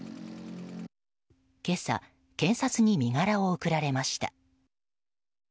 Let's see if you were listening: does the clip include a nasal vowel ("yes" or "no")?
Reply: yes